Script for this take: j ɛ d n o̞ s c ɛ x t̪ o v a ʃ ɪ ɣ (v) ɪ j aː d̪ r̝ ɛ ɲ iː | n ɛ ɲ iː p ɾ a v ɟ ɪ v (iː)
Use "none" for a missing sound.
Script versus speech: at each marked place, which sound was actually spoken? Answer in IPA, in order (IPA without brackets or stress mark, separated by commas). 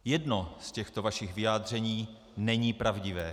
v, ɛː